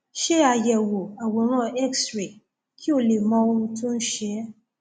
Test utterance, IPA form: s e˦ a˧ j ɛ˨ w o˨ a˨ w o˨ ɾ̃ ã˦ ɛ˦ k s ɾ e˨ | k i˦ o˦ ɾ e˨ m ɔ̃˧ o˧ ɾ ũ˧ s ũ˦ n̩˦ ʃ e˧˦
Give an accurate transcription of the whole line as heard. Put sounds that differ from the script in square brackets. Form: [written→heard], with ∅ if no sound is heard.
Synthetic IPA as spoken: [s→ʃ] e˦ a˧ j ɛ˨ w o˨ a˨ w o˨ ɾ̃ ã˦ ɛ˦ k s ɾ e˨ | k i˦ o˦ [ɾ→l] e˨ m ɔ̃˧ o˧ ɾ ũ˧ [s→t] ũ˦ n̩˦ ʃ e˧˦

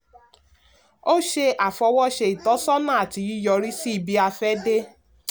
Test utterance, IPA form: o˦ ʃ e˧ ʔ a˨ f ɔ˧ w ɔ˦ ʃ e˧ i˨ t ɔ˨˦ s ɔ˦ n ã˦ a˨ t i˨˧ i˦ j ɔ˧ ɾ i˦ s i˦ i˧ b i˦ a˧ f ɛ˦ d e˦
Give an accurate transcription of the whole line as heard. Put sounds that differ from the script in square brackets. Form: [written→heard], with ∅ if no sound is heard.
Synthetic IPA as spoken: o˦ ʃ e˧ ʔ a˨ f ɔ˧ w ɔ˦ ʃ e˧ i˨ t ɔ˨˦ s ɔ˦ n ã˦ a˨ t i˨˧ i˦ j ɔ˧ ɾ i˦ s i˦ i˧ b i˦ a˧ f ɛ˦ d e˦

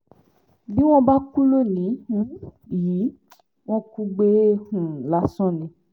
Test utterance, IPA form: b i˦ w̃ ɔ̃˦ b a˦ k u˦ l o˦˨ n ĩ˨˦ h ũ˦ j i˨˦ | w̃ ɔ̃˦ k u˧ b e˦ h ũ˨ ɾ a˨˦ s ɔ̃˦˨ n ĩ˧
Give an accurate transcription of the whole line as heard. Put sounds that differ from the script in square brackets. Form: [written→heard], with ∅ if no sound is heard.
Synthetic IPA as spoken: b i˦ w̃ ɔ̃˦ b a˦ k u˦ l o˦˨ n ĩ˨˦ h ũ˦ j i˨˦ | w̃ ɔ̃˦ k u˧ [b→ɡ͡b] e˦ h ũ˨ [ɾ→l] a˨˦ s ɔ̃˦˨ n ĩ˧

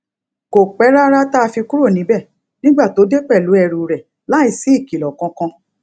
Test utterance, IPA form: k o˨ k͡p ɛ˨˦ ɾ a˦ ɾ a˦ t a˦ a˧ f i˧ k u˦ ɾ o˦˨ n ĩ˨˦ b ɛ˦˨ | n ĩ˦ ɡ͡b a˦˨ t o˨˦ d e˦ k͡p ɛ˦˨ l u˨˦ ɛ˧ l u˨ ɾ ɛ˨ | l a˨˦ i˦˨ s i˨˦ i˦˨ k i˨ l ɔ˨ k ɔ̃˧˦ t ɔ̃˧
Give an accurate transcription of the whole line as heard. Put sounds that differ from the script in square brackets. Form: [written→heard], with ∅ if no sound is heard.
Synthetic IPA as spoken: k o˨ k͡p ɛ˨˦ ɾ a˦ ɾ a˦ t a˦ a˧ f i˧ k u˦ ɾ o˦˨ n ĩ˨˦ b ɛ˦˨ | n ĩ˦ ɡ͡b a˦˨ t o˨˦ d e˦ k͡p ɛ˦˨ l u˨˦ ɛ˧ [l→ɾ] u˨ ɾ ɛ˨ | l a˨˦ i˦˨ s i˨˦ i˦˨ k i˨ l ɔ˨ k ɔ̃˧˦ [t→k] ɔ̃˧

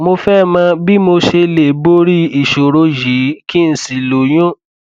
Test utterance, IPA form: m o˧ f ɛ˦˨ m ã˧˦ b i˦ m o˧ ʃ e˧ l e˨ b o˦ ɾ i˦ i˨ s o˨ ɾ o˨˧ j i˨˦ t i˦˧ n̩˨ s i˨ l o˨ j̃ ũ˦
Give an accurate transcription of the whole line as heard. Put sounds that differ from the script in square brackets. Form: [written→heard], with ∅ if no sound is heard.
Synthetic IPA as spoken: m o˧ f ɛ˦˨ m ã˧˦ b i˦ m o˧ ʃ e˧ l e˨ b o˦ ɾ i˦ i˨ [s→ʃ] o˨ ɾ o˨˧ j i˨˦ [t→k] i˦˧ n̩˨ s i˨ l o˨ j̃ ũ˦

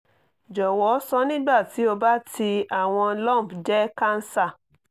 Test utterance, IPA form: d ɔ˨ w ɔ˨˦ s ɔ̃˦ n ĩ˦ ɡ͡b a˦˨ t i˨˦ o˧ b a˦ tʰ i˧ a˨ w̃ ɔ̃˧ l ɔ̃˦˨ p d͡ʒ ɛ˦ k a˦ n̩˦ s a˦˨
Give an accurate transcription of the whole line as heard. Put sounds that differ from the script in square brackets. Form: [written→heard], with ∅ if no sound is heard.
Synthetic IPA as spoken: [d→d͡ʒ] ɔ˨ w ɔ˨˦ s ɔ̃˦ n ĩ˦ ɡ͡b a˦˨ t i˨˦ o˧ b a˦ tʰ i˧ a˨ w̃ ɔ̃˧ l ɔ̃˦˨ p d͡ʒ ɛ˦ k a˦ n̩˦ s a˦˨

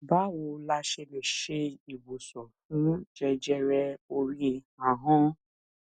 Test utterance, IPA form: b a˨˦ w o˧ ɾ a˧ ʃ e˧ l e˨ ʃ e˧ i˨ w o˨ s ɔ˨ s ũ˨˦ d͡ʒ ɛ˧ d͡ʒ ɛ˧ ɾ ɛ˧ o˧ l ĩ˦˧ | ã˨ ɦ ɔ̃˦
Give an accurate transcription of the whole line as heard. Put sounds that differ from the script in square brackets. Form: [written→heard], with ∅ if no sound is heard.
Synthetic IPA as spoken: b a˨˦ w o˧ [ɾ→l] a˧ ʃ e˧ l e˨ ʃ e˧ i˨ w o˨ s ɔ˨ [s→f] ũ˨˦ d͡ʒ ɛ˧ d͡ʒ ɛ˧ ɾ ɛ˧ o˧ [l→ɾ] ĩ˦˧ | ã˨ ɦ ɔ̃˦

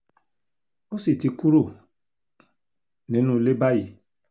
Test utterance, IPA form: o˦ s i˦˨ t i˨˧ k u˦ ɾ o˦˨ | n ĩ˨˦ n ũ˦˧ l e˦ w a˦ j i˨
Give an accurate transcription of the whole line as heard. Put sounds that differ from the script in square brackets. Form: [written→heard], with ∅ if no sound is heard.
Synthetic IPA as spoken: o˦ s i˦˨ t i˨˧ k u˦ ɾ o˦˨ | n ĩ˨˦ n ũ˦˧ l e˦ [w→b] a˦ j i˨

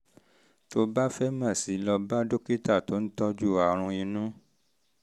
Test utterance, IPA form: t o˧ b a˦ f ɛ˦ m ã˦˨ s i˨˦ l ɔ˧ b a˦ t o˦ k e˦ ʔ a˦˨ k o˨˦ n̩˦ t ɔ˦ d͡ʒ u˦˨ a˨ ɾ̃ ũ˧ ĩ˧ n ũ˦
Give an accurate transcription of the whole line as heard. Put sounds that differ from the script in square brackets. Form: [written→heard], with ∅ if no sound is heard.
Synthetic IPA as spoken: t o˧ b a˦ f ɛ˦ m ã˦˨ s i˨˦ l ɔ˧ b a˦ [t→d] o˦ k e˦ [ʔ→t] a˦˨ [k→t] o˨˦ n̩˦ t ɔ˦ d͡ʒ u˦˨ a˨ ɾ̃ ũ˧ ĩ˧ n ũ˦

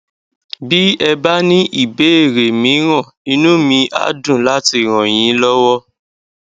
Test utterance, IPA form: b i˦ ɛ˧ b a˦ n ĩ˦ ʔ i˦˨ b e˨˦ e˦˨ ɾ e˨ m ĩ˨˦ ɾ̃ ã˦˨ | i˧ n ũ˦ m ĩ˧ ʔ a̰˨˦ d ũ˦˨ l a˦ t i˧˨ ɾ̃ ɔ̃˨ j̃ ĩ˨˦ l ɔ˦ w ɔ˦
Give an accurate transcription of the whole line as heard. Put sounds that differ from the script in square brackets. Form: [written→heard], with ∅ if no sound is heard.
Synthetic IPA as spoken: b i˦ ɛ˧ b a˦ n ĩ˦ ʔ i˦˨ b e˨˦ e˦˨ ɾ e˨ m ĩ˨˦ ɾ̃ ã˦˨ | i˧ n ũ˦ m ĩ˧ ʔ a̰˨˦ d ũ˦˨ l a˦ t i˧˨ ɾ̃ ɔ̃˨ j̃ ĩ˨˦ l ɔ˦ w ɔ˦

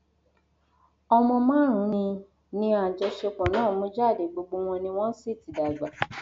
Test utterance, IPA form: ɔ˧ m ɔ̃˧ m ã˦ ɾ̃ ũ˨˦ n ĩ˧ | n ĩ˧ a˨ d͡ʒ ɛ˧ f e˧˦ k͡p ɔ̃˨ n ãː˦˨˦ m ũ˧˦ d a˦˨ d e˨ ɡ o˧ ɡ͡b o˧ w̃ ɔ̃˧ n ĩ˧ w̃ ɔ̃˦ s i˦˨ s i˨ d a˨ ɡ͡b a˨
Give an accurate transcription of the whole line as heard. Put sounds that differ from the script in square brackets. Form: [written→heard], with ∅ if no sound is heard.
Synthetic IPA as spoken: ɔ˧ m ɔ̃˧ m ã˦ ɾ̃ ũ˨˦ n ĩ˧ | n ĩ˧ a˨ d͡ʒ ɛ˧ [f→ʃ] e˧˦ k͡p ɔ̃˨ n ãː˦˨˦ m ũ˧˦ [d→d͡ʒ] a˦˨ d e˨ [ɡ→ɡ͡b] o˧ ɡ͡b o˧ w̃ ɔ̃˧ n ĩ˧ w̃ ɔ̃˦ s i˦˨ [s→t] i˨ d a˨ ɡ͡b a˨

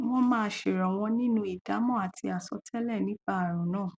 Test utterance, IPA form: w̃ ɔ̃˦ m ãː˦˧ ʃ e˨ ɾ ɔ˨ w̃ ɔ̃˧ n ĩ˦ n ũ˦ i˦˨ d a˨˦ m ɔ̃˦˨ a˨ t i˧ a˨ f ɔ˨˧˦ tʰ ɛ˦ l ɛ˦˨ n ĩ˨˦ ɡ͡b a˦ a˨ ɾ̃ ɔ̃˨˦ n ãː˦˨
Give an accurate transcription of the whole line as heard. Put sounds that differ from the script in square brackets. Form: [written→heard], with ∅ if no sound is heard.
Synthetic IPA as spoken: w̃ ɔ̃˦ m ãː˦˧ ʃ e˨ ɾ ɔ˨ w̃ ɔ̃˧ n ĩ˦ n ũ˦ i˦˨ d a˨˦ m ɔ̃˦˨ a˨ t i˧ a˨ [f→s] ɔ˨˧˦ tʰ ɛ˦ l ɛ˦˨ n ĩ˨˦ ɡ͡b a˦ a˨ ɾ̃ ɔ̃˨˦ n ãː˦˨

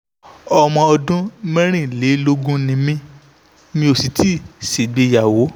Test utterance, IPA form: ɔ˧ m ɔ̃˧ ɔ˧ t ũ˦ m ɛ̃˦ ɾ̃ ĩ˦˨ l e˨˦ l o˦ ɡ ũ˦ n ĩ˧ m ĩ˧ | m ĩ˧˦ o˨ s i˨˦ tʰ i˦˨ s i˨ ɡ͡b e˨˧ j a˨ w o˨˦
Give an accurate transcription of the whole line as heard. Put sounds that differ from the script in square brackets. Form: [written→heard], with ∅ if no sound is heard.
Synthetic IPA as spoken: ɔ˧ m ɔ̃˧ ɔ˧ [t→d] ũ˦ m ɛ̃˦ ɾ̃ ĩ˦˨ l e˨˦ l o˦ ɡ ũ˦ n ĩ˧ m ĩ˧ | m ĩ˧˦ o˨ s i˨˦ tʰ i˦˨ s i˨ ɡ͡b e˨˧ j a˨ w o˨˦

